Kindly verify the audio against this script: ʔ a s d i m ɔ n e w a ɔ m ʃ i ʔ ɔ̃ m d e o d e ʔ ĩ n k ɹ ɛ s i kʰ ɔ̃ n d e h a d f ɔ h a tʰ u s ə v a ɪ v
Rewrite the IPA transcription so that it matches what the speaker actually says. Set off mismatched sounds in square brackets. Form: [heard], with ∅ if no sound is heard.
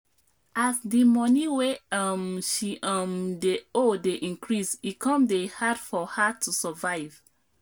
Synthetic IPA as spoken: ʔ a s d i m ɔ n [i] w [e] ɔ m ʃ i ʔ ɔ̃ m d e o d e ʔ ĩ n k ɹ [i] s i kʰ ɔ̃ [m] d e h a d f ɔ h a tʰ u s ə v a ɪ v